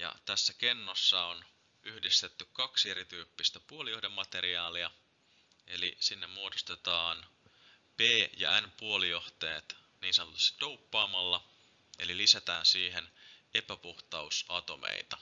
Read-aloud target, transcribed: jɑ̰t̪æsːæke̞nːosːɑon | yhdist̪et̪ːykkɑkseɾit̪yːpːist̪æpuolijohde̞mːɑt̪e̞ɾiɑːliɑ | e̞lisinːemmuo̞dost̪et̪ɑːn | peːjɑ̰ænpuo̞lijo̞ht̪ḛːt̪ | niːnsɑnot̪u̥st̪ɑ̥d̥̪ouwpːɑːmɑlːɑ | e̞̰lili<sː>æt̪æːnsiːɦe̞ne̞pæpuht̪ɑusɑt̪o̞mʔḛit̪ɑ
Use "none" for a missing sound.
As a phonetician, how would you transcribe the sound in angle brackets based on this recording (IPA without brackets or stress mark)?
s